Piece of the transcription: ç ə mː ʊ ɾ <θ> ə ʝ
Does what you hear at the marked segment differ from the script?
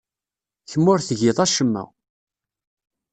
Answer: no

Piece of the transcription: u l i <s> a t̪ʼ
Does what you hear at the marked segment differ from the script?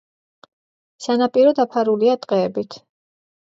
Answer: yes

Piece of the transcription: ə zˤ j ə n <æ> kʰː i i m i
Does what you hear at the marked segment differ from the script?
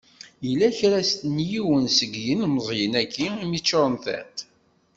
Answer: no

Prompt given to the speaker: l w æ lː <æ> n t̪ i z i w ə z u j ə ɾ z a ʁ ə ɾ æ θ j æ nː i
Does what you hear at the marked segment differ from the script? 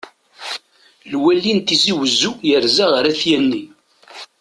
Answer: yes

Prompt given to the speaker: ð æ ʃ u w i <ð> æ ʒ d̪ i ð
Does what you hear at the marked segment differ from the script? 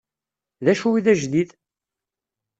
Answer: no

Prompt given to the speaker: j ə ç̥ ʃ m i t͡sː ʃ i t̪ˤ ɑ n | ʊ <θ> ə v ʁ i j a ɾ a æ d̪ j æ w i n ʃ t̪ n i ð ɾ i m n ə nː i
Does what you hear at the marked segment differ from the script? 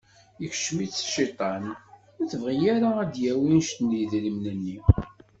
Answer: no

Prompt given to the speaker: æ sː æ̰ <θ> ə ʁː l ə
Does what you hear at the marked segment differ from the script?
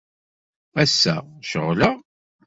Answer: yes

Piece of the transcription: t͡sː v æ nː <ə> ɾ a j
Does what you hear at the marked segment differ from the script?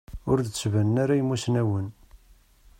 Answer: yes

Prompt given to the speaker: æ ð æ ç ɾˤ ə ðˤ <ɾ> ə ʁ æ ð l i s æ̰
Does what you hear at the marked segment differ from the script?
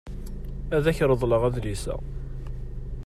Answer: yes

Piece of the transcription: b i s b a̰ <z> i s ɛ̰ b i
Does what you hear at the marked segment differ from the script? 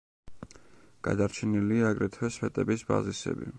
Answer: no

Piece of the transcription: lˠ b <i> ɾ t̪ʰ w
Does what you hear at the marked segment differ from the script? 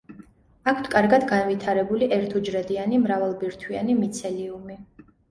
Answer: no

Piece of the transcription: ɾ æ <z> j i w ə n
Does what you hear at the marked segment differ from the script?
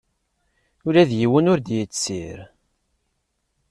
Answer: yes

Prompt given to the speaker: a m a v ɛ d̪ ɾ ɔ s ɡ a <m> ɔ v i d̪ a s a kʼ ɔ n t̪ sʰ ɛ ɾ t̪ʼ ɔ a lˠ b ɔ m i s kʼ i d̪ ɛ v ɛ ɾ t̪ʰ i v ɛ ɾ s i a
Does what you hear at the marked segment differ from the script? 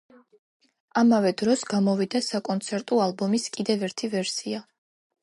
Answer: no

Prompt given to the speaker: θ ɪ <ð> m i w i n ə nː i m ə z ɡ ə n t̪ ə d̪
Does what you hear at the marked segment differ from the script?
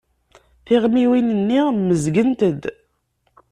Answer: yes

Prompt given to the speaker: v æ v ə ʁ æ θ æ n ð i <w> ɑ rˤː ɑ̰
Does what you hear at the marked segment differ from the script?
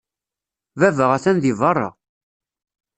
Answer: yes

